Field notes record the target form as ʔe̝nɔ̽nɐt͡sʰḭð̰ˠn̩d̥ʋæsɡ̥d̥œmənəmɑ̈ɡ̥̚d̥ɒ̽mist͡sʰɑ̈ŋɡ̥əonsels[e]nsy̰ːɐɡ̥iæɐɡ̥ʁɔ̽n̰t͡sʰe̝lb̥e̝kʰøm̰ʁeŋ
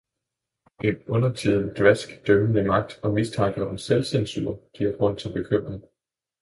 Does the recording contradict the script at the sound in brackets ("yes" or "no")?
no